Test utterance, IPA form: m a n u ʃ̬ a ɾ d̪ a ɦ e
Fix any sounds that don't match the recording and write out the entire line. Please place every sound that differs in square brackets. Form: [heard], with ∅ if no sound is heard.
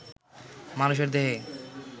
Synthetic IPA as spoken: m a n u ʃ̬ [e] ɾ d̪ [e] ɦ e

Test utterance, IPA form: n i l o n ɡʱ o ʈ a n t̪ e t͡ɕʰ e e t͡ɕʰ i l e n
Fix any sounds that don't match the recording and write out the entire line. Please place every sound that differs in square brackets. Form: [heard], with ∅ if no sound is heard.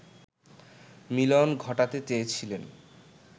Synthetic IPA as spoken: [m] i l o n ɡʱ [ɔ] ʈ a [∅] t̪ e [t͡ɕ] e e t͡ɕʰ i l e n

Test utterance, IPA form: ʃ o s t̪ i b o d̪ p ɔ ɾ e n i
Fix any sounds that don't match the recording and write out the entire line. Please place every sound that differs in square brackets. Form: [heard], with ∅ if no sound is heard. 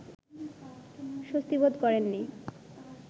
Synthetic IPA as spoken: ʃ o s t̪ i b o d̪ [k] ɔ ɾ e [nː] i

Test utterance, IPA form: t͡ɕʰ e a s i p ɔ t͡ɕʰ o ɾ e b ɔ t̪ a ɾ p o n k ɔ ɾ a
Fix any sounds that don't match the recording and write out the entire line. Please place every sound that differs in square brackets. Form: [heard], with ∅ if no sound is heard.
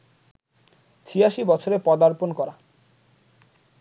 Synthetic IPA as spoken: t͡ɕʰ [i] a [ʃ] i [b] ɔ t͡ɕʰ o ɾ e [p] ɔ [d̪] a ɾ p o n k ɔ ɾ a

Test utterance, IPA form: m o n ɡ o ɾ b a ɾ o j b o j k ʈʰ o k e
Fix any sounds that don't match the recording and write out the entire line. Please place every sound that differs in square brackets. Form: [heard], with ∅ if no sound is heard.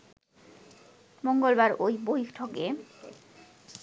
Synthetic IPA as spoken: m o [ŋ] ɡ o [l] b a ɾ o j b o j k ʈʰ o k e

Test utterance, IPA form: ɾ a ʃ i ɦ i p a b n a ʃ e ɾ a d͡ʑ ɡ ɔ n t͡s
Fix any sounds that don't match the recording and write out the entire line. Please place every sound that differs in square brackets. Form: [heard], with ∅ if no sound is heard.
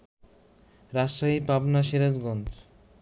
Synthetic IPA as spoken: ɾ a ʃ [a] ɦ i p a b n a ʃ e ɾ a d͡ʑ ɡ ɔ n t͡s

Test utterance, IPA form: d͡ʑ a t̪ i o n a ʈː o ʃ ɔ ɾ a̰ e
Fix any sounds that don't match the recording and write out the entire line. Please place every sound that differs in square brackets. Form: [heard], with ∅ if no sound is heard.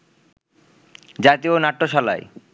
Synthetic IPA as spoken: d͡ʑ a t̪ i o n a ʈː o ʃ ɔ [l] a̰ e

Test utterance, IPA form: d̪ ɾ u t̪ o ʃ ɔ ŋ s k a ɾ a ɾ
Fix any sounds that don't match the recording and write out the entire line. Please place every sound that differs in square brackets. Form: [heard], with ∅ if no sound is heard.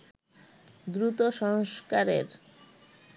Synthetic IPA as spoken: d̪ ɾ u t̪ o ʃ ɔ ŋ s k a ɾ [e] ɾ

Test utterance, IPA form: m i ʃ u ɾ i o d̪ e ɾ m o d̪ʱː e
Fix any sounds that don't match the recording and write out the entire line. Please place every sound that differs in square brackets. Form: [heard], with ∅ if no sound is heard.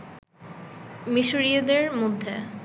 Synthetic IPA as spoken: m i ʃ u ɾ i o d̪ e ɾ m o d̪ʱː e

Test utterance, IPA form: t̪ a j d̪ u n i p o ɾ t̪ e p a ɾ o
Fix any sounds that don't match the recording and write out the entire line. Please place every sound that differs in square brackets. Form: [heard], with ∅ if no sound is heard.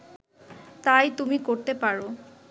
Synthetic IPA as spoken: t̪ a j [t̪] u [m] i [k] o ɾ t̪ e p a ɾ o

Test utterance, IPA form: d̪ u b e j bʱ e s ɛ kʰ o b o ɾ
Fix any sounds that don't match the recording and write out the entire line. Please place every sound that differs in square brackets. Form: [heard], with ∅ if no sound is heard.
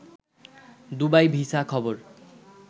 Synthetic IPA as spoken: d̪ u b [a] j bʱ [i] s [a] kʰ [ɔ] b o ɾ

